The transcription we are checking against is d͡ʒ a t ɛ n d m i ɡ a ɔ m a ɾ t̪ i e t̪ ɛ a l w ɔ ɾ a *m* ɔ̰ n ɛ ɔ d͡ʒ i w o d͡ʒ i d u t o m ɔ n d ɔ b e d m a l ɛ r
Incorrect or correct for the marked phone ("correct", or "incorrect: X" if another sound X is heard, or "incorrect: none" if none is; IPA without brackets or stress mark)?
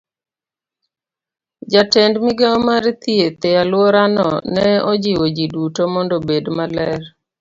incorrect: n